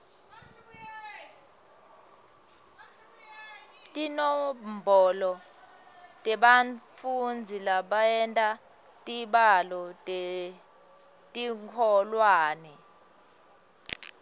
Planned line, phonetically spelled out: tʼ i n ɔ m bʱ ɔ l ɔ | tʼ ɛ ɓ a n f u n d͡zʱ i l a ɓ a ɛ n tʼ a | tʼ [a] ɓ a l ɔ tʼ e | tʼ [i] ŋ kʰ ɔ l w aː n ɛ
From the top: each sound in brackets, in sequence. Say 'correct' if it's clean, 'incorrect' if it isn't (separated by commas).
incorrect, correct